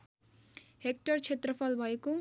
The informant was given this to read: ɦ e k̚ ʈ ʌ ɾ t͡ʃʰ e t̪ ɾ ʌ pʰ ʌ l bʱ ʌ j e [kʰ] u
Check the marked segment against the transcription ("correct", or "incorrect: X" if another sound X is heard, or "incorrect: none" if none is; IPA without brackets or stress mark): incorrect: k